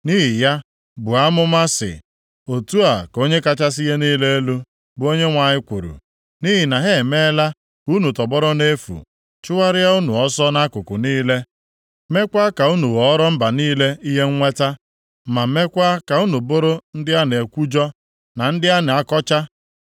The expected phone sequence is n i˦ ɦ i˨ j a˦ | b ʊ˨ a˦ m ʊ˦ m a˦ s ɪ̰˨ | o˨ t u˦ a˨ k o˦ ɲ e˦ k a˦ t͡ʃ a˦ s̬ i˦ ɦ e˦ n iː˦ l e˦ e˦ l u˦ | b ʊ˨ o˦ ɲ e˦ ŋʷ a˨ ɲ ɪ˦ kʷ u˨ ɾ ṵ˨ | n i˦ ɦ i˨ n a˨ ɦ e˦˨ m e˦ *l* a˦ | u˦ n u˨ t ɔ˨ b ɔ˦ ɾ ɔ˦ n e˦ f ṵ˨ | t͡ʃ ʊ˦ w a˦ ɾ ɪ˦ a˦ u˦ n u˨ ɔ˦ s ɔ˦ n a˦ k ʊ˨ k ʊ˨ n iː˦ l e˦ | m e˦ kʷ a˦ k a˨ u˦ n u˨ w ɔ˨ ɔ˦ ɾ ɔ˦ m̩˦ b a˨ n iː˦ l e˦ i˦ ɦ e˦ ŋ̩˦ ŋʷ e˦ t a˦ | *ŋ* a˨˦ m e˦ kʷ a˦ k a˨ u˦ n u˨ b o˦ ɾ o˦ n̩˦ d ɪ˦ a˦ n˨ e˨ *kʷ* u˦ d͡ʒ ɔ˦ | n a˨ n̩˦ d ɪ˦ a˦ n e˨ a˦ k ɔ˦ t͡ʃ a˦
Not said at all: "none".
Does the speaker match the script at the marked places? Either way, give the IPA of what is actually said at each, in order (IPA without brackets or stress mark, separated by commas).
l, m, kʷ